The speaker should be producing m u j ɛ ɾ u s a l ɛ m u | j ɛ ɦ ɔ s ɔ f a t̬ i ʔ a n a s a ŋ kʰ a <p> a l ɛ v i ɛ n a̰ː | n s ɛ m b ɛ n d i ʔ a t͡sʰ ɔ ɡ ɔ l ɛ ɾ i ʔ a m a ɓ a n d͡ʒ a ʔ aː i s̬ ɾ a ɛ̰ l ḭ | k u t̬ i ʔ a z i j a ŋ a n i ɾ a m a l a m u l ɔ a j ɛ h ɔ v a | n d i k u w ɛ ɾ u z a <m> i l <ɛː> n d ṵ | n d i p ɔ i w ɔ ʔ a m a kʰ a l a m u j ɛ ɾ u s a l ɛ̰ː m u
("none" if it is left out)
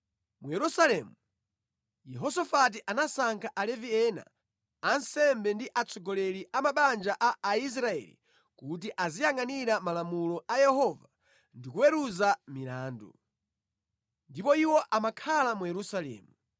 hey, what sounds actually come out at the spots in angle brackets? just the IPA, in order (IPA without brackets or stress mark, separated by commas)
ʔ, m, aː